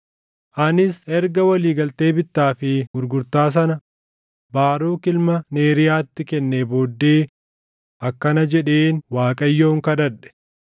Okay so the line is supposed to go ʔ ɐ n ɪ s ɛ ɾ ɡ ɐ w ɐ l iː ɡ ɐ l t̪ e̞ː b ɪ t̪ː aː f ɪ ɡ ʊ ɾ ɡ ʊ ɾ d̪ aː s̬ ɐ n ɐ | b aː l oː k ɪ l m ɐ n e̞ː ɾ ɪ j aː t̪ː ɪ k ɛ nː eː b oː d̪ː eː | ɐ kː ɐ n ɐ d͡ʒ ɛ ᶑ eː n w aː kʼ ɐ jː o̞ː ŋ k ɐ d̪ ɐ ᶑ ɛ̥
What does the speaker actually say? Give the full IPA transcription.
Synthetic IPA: ʔ ɐ n ɪ s ɛ ɾ ɡ ɐ w ɐ l iː ɡ ɐ l t̪ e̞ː b ɪ t̪ː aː f ɪ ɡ ʊ ɾ ɡ ʊ ɾ t̪ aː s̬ ɐ n ɐ | b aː ɾ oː k ɪ l m ɐ n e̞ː ɾ ɪ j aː t̪ː ɪ k ɛ nː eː b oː d̪ː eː | ɐ kː ɐ n ɐ d͡ʒ ɛ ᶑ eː n w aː kʼ ɐ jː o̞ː ŋ k ɐ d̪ ɐ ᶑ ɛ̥

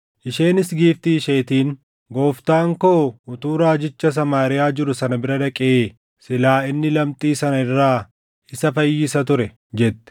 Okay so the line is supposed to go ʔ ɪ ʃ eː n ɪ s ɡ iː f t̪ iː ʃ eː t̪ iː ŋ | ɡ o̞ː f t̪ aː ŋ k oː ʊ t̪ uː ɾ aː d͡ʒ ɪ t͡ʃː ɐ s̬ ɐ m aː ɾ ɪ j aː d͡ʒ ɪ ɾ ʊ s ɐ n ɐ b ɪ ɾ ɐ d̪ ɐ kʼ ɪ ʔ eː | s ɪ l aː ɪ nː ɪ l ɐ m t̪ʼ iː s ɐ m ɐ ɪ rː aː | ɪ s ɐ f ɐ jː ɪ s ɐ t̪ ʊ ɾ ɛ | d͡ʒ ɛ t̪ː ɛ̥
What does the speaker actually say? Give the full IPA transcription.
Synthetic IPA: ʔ ɪ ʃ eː n ɪ s ɡ iː f t̪ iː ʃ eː t̪ iː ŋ | ɡ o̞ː f t̪ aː ŋ k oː ʊ t̪ uː ɾ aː d͡ʒ ɪ t͡ʃː ɐ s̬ ɐ m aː ɾ ɪ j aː d͡ʒ ɪ ɾ ʊ s ɐ n ɐ b ɪ ɾ ɐ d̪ ɐ kʼ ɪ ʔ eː | s ɪ l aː ɪ nː ɪ l ɐ m t̪ʼ iː s ɐ n ɐ ɪ rː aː | ɪ s ɐ f ɐ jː ɪ s ɐ t̪ ʊ ɾ ɛ | d͡ʒ ɛ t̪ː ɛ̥

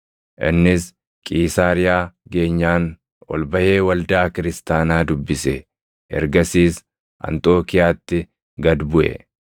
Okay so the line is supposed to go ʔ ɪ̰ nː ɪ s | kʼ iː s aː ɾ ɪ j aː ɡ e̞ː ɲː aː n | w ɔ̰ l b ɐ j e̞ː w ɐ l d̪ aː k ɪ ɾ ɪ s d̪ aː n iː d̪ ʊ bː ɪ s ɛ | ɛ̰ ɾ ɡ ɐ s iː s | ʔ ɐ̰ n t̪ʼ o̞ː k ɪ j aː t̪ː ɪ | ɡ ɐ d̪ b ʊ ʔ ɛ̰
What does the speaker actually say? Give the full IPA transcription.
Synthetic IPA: ʔ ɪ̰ nː ɪ s | kʼ iː s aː ɾ ɪ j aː ɡ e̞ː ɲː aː n | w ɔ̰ l b ɐ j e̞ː w ɐ l d̪ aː k ɪ ɾ ɪ s t̪ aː n aː d̪ ʊ bː ɪ s ɛ | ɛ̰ ɾ ɡ ɐ s iː s | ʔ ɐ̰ n t̪ʼ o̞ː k ɪ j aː t̪ː ɪ | ɡ ɐ d̪ b ʊ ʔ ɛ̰

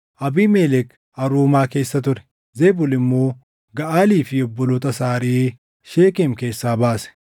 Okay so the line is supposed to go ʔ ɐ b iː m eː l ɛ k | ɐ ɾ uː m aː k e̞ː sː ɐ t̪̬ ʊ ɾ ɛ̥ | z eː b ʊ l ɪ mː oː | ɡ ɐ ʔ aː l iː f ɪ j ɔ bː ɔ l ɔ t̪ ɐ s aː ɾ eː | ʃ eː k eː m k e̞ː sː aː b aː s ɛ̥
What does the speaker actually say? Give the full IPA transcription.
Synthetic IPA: ʔ ɐ b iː m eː l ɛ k | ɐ ɾ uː m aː k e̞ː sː ɐ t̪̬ ʊ ɾ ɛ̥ | z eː b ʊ l ɪ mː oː | ɡ ɐ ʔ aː l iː f ɪ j ɔ bː ɔ l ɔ t̪ ɐ s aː ɾ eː | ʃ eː k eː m k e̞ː sː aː b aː s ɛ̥

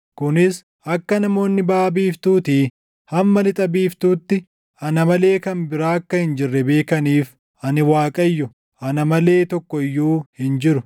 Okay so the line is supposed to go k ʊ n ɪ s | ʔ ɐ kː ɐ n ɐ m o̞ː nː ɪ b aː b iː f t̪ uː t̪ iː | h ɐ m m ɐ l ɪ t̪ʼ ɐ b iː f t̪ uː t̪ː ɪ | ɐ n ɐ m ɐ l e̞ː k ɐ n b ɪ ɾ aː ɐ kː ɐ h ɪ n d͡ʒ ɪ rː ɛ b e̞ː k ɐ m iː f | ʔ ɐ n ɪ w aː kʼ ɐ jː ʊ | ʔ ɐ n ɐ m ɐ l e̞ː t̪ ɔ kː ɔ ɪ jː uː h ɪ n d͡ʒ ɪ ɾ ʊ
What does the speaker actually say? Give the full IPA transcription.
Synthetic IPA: k ʊ n ɪ s | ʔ ɐ kː ɐ n ɐ m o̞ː nː ɪ b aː b iː f t̪ uː t̪ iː | h ɐ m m ɐ l ɪ t̪ʼ ɐ b iː f t̪ uː t̪ː ɪ | ɐ n ɐ m ɐ l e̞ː k ɐ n b ɪ ɾ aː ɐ kː ɐ h ɪ n d͡ʒ ɪ rː ɛ b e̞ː k ɐ n iː f | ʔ ɐ n ɪ w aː kʼ ɐ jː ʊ | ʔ ɐ n ɐ m ɐ l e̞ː t̪ ɔ kː ɔ ɪ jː uː h ɪ n d͡ʒ ɪ ɾ ʊ

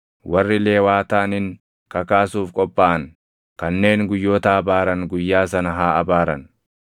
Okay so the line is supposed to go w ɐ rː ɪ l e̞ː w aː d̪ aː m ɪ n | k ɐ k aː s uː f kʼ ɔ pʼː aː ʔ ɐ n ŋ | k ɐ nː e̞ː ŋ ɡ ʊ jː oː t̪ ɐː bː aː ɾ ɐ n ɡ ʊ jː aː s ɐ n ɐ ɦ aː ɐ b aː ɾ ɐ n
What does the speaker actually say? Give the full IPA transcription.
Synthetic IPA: w ɐ rː ɪ l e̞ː w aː t̪ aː n ɪ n | k ɐ k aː s uː f kʼ ɔ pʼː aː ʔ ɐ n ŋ | k ɐ nː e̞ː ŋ ɡ ʊ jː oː t̪ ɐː b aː ɾ ɐ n ɡ ʊ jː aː s ɐ n ɐ ɦ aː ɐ b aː ɾ ɐ n

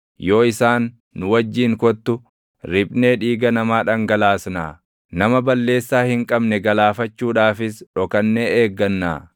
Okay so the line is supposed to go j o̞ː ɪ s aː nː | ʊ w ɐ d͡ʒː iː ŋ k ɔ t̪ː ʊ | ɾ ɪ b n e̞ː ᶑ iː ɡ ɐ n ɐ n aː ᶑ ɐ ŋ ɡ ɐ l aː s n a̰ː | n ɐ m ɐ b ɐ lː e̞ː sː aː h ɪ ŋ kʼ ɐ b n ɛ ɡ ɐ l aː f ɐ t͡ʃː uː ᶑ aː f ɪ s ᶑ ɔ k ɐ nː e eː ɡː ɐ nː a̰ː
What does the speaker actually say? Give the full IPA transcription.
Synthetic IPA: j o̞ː ɪ s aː nː | ʊ w ɐ d͡ʒː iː ŋ k ɔ t̪ː ʊ | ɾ ɪ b n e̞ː ᶑ iː ɡ ɐ n ɐ m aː ᶑ ɐ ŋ ɡ ɐ l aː s n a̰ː | n ɐ m ɐ b ɐ lː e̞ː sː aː h ɪ ŋ kʼ ɐ b n ɛ ɡ ɐ l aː f ɐ t͡ʃː uː ᶑ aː f ɪ s ᶑ ɔ k ɐ nː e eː ɡː ɐ nː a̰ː

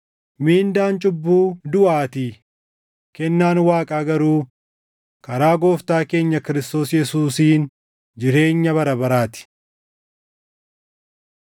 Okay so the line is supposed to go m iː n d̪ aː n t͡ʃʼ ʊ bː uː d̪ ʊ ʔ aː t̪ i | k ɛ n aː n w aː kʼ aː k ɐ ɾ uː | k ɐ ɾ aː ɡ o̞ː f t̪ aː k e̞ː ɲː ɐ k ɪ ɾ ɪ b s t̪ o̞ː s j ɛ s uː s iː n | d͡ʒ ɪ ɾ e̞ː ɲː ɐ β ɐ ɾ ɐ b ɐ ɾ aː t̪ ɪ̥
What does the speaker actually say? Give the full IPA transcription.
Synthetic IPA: m iː n d̪ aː n t͡ʃʼ ʊ bː uː d̪ ʊ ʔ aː t̪ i | k ɛ nː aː n w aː kʼ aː ɡ ɐ ɾ uː | k ɐ ɾ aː ɡ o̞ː f t̪ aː k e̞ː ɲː ɐ k ɪ ɾ ɪ s t̪ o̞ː s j ɛ s uː s iː n | d͡ʒ ɪ ɾ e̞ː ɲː ɐ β ɐ ɾ ɐ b ɐ ɾ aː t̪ ɪ̥

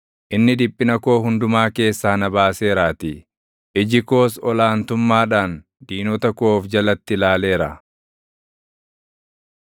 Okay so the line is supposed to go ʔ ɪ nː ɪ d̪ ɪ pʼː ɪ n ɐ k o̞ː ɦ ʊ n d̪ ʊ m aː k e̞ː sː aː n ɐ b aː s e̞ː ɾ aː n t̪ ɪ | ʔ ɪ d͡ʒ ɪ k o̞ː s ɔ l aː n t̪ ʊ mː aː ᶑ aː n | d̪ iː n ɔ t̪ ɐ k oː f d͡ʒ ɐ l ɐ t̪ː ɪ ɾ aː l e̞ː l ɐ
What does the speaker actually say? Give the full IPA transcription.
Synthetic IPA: ʔ ɪ nː ɪ d̪ ɪ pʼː ɪ n ɐ k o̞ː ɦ ʊ n d̪ ʊ m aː k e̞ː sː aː n ɐ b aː s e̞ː ɾ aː t̪ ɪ | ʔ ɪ d͡ʒ ɪ k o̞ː s ɔ l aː n t̪ ʊ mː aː ᶑ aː n | d̪ iː n ɔ t̪ ɐ k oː f d͡ʒ ɐ l ɐ t̪ː ɪ l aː l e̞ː ɾ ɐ

